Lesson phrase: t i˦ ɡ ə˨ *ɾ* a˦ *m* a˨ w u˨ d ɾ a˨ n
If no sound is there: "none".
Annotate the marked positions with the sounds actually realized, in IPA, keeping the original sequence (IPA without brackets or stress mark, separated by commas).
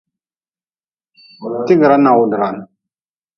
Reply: ɾ, n